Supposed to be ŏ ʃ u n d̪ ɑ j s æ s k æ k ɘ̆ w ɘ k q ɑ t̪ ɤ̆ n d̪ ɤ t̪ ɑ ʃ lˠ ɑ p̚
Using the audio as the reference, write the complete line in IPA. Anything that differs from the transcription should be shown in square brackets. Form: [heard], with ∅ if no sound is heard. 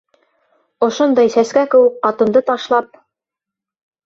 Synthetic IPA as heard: ŏ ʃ [o] n d̪ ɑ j s æ s k æ k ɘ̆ w ɘ k q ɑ t̪ ɤ̆ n d̪ ɤ t̪ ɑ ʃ lˠ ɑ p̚

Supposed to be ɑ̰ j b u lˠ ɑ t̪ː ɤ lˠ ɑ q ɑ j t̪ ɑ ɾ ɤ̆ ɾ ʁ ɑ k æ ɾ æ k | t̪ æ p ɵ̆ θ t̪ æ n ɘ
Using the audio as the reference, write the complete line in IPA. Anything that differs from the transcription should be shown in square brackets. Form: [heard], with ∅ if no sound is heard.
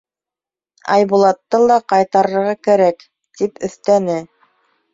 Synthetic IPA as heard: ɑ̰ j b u lˠ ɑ t̪ː ɤ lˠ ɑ q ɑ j t̪ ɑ ɾ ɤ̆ ɾ ʁ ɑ k æ ɾ æ k | t̪ [i] p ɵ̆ θ t̪ æ n ɘ

